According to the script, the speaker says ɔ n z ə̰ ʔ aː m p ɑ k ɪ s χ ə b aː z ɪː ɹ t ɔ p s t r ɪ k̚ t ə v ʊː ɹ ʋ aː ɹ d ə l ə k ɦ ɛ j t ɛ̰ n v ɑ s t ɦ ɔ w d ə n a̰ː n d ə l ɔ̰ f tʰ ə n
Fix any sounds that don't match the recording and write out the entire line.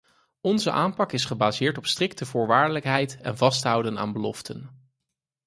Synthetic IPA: ɔ n z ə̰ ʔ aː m p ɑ k ɪ s χ ə b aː z ɪː ɹ t ɔ p s t r ɪ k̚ t ə v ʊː ɹ ʋ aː ɹ d ə l ə k ɦ ɛ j t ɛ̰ n v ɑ s t ɦ ʌ w d ə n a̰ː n b ə l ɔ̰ f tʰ ə n